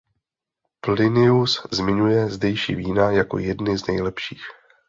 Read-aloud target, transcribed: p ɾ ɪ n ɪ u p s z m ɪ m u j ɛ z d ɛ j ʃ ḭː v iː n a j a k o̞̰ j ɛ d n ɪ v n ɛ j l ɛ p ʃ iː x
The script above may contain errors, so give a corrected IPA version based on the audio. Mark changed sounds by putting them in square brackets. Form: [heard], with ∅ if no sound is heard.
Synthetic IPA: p [l] ɪ n ɪ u [∅] s z m ɪ [ɲ] u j ɛ z d ɛ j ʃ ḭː v iː n a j a k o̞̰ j ɛ d n ɪ [z] n ɛ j l ɛ p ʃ iː x